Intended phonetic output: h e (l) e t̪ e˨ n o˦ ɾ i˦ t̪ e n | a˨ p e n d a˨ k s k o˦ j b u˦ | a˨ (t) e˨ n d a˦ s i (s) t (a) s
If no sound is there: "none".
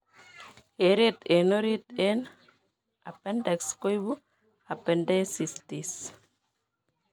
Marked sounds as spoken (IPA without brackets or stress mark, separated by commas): ɾ, p, s, i